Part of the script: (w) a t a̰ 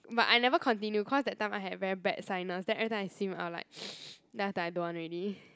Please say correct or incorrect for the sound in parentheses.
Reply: incorrect